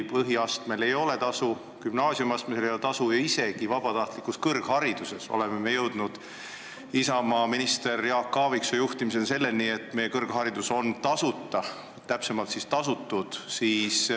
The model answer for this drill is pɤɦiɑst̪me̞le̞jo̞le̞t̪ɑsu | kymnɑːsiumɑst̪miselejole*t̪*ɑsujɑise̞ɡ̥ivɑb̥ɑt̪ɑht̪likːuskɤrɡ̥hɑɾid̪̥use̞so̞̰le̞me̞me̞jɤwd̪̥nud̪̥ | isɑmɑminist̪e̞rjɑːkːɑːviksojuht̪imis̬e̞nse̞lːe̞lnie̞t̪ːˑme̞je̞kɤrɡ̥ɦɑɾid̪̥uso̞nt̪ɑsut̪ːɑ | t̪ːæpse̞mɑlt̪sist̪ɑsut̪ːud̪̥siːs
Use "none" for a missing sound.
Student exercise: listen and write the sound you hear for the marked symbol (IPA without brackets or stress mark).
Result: t̪